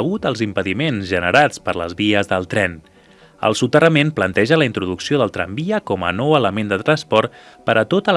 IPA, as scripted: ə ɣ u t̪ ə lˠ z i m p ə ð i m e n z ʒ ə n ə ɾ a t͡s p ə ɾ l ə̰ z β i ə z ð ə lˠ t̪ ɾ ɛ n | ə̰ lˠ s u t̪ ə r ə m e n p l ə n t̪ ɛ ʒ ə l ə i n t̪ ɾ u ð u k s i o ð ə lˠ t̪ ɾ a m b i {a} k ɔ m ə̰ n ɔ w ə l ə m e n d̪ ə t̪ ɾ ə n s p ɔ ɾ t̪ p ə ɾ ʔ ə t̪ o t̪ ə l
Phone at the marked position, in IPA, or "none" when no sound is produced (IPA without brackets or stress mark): ə